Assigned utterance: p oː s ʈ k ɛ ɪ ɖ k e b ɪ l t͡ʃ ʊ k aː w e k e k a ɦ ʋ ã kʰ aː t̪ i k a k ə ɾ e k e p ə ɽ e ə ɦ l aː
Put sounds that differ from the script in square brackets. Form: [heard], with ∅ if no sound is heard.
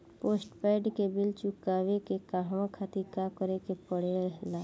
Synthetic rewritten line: p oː s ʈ [p] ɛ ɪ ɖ k e b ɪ l t͡ʃ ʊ k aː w e k e k a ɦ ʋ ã kʰ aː t̪ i k a k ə ɾ e k e p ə ɽ e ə ɦ l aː